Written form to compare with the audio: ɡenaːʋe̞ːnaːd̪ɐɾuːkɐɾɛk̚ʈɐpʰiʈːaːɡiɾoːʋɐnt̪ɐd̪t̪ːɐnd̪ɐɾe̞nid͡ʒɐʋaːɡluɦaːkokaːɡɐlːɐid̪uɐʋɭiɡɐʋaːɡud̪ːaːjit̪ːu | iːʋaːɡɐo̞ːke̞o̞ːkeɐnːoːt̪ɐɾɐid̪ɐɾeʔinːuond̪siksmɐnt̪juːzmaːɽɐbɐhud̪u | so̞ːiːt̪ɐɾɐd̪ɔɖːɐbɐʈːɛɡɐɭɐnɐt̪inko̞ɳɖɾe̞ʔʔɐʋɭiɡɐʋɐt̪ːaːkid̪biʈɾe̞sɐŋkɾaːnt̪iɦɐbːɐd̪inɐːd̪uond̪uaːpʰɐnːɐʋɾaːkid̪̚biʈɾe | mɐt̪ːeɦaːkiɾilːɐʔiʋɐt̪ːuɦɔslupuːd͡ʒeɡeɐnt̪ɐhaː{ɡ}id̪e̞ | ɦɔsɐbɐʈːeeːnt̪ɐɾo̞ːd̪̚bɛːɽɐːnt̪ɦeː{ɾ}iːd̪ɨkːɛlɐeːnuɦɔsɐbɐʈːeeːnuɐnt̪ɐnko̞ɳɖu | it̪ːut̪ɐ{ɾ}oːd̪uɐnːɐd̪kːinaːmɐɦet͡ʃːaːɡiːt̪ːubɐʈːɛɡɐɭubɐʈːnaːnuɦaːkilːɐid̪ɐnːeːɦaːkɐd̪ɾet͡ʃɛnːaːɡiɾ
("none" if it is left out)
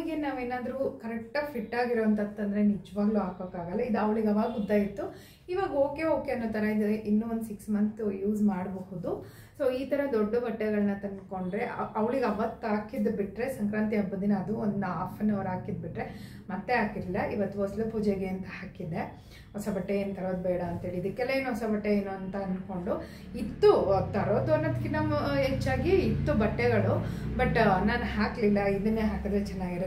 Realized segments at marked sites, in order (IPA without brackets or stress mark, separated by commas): k, ɭ, ɾ